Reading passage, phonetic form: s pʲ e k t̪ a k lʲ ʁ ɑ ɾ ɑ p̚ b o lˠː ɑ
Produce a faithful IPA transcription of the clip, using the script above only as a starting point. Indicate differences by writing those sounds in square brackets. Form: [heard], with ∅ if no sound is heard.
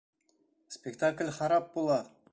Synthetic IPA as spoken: s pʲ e k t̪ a k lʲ [χ] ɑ ɾ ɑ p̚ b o [lˠ] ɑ